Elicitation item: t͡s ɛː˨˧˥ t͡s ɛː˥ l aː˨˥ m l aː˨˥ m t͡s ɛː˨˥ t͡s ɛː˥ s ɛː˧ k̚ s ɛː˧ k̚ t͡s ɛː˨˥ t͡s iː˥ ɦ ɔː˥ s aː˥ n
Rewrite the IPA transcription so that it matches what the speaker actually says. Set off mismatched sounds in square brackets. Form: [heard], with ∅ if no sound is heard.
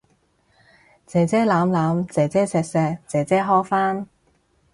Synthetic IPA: t͡s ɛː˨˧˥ t͡s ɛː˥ l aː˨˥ m l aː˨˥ m t͡s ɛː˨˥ t͡s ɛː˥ s ɛː˧ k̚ s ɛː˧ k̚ t͡s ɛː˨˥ t͡s [ɛː˥] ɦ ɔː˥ [f] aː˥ n